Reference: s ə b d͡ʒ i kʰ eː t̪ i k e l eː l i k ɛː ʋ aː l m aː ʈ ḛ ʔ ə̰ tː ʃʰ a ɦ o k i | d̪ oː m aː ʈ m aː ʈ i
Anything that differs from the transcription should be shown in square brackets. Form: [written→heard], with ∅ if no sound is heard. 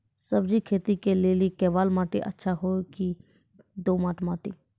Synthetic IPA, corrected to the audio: s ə b d͡ʒ i kʰ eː t̪ i k e l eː l i k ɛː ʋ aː l m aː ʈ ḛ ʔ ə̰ tː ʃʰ a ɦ o k i | d̪ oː m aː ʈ m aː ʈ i